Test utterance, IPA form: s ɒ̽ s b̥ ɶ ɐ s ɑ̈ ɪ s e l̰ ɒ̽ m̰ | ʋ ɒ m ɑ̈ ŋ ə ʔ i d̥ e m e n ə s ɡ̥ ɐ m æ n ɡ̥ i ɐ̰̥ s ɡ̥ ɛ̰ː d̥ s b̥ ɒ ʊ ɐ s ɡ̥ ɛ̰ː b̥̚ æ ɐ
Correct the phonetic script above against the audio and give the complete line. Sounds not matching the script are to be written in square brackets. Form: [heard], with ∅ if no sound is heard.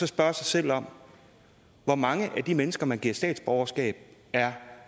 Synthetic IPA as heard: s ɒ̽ s b̥ ɶ ɐ s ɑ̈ ɪ s e l̰ ɒ̽ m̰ | ʋ ɒ m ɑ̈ ŋ ə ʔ [æ] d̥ [i] m e n ə s ɡ̥ ɐ m æ n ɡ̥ i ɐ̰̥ s [d̥] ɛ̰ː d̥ s b̥ ɒ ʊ ɐ s ɡ̥ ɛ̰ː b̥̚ æ ɐ